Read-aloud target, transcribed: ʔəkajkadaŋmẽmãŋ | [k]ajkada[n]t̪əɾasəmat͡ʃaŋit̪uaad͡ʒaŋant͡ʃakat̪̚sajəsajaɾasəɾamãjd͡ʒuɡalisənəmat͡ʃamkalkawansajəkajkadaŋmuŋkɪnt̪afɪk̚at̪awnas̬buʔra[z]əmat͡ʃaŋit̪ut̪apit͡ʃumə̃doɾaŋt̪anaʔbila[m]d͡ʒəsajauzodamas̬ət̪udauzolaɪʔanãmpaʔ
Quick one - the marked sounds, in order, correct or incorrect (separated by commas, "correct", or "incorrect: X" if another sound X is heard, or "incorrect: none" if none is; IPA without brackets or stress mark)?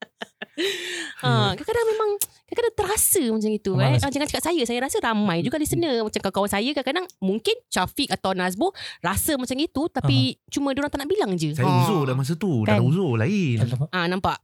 correct, incorrect: ŋ, incorrect: s, incorrect: ŋ